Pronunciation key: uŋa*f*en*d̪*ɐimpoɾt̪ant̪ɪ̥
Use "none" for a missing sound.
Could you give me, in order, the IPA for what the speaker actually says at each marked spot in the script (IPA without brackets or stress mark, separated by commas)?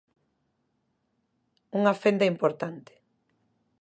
f, d̪